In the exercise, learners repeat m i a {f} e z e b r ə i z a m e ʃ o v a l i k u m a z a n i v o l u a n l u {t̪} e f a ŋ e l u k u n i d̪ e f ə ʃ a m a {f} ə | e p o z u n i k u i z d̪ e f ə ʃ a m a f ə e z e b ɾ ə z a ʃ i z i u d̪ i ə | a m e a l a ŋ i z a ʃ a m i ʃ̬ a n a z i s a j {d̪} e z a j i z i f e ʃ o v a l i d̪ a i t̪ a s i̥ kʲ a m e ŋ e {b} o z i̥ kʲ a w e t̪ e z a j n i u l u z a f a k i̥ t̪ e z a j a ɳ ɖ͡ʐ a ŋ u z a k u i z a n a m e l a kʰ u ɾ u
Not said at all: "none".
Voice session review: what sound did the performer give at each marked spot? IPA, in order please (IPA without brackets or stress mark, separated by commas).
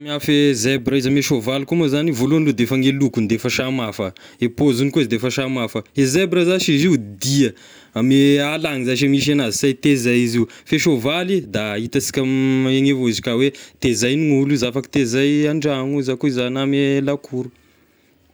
f, d̪, f, t̪, v